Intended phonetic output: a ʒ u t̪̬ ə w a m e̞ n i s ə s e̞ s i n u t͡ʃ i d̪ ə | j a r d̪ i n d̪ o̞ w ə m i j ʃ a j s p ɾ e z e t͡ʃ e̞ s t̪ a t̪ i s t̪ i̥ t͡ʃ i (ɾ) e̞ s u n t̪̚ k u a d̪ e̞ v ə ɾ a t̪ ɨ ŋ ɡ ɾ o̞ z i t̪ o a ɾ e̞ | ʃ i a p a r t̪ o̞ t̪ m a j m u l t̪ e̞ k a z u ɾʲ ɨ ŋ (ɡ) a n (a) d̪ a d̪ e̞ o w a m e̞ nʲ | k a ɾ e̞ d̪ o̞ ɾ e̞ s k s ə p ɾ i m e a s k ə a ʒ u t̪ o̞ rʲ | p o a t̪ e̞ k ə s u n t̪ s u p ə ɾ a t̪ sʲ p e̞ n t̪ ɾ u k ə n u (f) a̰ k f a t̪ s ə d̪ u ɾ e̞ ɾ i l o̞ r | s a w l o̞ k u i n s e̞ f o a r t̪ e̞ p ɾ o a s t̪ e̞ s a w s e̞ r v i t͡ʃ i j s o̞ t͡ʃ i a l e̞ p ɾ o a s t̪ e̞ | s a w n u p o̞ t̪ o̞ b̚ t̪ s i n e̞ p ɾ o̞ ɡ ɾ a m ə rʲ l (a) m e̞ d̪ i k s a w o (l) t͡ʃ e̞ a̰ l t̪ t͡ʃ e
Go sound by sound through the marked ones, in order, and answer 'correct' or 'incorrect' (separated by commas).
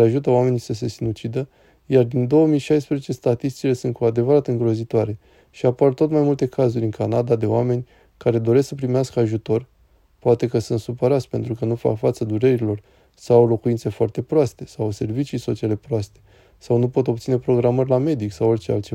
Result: incorrect, incorrect, correct, correct, correct, incorrect